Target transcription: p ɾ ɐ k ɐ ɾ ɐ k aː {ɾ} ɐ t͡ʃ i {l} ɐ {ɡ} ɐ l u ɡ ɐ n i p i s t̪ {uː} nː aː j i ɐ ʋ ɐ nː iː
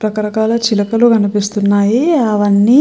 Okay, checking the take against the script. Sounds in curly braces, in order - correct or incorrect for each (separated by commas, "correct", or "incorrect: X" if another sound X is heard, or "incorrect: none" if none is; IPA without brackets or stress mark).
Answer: incorrect: l, correct, incorrect: k, incorrect: u